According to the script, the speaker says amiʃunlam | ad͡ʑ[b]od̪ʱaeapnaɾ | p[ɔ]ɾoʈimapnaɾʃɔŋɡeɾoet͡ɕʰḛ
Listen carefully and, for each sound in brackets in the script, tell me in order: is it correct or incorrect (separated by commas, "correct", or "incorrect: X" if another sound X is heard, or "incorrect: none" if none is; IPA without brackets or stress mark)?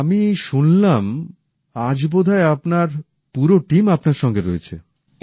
correct, incorrect: u